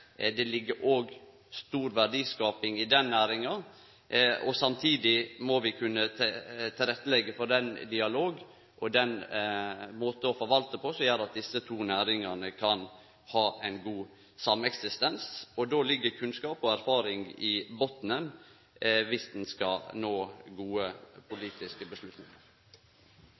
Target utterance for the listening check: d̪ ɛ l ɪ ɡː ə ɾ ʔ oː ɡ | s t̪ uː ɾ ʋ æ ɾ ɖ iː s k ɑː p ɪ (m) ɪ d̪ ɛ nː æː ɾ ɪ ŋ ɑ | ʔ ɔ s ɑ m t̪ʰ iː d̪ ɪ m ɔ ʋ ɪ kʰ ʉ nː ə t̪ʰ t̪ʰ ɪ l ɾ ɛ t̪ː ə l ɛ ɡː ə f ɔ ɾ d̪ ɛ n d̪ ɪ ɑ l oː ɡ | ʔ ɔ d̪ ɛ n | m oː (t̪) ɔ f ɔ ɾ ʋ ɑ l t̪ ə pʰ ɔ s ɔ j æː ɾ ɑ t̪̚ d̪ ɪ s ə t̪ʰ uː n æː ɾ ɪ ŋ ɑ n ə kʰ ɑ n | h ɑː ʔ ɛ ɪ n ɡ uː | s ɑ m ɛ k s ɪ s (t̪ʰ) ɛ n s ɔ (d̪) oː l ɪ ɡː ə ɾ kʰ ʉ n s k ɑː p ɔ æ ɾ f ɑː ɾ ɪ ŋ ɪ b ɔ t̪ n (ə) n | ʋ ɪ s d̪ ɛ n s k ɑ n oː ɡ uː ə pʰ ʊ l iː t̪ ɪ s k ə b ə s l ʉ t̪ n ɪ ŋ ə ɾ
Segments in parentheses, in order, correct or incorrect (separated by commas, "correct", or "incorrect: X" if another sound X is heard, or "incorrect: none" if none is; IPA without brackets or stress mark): incorrect: ŋ, correct, incorrect: t̪, correct, correct